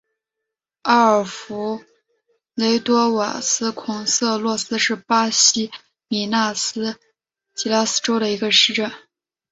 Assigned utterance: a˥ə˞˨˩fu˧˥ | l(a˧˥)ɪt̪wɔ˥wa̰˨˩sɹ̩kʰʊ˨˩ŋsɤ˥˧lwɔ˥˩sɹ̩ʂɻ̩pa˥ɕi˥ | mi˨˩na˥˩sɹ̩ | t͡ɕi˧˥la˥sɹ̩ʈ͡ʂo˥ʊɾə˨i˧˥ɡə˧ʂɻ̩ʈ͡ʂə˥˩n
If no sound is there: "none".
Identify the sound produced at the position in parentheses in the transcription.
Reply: e˧˥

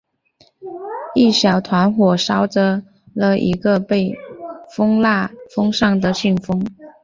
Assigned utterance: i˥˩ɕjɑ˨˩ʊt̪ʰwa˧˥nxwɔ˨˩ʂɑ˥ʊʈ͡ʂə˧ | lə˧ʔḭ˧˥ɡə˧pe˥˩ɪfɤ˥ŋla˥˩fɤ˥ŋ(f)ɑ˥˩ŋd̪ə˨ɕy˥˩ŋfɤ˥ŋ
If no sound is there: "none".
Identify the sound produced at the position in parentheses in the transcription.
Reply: ʂ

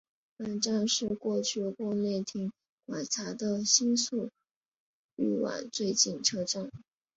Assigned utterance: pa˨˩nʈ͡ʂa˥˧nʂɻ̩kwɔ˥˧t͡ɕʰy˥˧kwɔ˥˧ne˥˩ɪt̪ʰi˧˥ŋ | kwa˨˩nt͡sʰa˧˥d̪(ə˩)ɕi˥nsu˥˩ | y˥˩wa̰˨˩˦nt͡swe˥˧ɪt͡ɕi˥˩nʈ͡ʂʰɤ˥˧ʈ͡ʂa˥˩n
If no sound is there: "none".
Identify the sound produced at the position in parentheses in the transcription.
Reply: ə˧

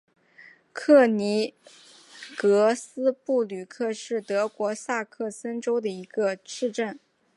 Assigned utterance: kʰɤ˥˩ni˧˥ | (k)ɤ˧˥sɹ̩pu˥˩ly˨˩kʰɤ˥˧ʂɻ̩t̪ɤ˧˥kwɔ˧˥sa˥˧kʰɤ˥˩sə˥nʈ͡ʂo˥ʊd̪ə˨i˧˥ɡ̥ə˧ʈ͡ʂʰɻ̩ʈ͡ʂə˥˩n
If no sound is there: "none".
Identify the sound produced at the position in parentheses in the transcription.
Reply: k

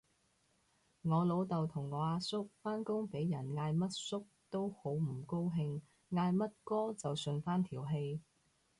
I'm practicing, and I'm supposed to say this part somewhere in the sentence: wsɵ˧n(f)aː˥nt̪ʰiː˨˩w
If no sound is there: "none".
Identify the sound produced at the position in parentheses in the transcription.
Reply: f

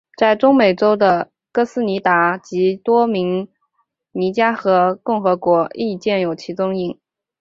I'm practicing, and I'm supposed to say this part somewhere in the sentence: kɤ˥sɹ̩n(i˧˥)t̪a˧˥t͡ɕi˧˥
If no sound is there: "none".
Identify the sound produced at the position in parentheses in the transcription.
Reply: i˧˥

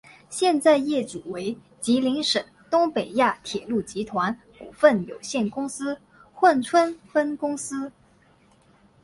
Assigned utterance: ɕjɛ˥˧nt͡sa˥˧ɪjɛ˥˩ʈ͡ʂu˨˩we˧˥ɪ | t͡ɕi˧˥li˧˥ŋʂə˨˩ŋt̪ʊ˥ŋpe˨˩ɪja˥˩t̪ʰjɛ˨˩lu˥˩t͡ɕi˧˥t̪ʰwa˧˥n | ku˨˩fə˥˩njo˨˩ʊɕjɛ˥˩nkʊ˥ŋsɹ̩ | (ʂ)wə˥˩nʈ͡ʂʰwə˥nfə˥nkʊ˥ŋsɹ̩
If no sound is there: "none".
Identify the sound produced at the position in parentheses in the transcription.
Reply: x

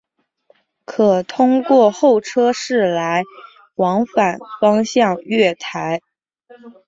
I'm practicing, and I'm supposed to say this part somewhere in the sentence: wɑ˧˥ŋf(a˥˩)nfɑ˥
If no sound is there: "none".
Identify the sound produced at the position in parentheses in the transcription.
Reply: a˨˩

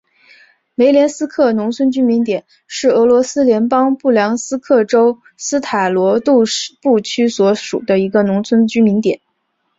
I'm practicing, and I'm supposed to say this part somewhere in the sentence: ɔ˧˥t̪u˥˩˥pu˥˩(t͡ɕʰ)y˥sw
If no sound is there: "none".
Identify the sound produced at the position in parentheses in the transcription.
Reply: t͡ɕʰ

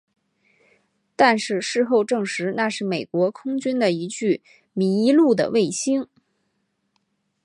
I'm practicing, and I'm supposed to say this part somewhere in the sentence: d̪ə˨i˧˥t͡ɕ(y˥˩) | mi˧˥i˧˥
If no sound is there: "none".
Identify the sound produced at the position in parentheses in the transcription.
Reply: y˥˩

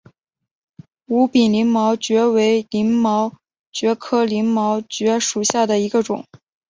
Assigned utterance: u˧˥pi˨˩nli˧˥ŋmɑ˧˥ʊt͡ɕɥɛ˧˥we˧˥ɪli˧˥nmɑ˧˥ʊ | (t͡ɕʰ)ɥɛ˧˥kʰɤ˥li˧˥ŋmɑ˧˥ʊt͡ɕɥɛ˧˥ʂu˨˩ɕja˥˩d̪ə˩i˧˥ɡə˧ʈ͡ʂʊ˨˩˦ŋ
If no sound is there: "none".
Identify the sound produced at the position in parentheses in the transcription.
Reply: t͡ɕ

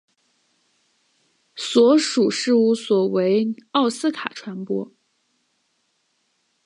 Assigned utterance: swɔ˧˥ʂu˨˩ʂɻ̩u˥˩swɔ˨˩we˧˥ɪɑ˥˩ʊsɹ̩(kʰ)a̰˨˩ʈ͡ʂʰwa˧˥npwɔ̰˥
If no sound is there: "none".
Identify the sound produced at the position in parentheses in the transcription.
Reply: kʰ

